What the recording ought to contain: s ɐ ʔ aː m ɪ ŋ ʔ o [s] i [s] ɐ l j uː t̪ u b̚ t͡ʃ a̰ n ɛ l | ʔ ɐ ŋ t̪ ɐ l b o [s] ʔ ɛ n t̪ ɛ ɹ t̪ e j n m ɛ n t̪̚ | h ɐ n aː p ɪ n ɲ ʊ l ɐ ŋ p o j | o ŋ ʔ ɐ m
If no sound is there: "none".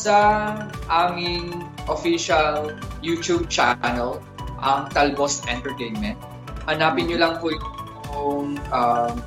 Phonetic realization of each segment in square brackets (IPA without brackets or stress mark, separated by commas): f, ʃ, s